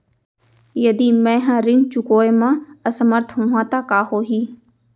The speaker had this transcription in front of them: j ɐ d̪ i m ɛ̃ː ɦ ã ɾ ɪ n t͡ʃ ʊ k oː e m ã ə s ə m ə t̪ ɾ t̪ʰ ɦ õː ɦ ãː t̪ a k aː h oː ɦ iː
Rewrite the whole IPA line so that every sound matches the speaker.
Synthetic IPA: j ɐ d̪ i m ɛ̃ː ɦ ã ɾ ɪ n t͡ʃ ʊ k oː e m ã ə s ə m ə ɾ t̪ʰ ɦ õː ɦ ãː t̪ a k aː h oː ɦ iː